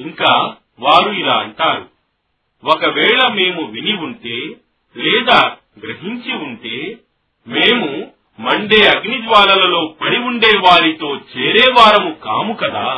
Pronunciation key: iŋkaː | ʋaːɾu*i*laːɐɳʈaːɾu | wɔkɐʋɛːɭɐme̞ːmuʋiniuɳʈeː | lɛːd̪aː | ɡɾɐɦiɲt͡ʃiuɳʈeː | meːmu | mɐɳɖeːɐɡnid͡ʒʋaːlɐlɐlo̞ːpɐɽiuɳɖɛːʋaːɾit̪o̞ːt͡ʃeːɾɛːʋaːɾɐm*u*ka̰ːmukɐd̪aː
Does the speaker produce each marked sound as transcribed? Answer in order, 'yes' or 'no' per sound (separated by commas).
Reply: yes, yes